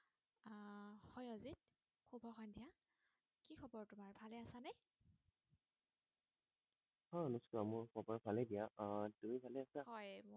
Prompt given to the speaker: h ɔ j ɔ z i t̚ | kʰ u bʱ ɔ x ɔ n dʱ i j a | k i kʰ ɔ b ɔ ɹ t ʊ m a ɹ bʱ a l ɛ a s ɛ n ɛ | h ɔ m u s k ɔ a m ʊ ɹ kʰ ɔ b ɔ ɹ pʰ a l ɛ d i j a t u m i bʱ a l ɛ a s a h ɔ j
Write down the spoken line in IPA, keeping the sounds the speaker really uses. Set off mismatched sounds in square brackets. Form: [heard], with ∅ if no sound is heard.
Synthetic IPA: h ɔ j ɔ z i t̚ | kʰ u bʱ ɔ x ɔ n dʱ i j a | k i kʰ ɔ b ɔ ɹ t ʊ m a ɹ bʱ a l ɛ a s [a] n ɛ | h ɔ [n] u s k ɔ a m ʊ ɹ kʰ ɔ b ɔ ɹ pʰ a l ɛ d i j a t u m i bʱ a l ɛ a s a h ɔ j